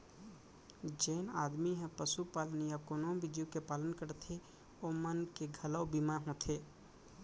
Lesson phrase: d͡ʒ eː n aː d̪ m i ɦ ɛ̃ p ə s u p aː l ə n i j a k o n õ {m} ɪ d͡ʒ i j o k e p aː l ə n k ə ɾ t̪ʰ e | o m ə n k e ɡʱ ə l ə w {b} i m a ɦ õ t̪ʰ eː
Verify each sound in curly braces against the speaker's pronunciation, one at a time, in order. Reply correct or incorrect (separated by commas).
incorrect, correct